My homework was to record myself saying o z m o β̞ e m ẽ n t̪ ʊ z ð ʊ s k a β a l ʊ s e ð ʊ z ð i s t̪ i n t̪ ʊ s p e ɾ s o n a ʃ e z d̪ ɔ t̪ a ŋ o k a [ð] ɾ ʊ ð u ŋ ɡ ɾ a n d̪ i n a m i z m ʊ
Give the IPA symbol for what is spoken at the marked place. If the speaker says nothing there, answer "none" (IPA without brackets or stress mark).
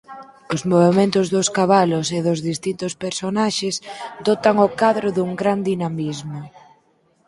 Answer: ð